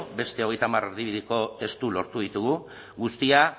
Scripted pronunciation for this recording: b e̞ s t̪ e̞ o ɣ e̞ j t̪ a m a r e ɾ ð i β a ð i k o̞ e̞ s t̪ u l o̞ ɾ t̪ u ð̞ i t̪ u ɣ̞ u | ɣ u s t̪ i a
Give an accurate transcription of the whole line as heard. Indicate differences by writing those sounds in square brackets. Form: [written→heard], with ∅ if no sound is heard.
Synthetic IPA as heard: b e̞ s t̪ e̞ o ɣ e̞ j t̪ a m a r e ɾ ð i β [a→i] ð i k o̞ e̞ s t̪ u l o̞ ɾ t̪ u ð̞ i t̪ u ɣ̞ u | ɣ u s t̪ i a